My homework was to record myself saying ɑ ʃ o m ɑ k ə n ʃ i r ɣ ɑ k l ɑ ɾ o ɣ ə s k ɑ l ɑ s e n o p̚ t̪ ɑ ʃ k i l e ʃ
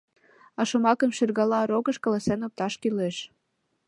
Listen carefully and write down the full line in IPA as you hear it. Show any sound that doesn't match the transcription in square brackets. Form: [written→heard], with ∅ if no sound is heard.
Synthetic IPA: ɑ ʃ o m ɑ k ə [n→m] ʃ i r ɣ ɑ [k→∅] l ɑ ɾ o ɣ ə [s→ʃ] k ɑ l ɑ s e n o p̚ t̪ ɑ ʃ k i l e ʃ